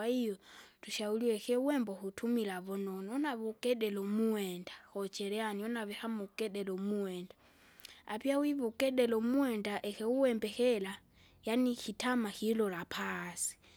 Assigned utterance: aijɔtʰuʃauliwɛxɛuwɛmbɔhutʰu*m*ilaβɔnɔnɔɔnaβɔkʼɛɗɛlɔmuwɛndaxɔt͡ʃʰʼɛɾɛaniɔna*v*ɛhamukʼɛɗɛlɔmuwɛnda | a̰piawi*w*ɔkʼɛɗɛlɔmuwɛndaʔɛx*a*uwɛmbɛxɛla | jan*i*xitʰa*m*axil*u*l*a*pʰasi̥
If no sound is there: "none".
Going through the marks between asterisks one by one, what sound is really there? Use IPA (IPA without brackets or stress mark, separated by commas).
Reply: m, β, β, ɛ, i, m, ɔ, a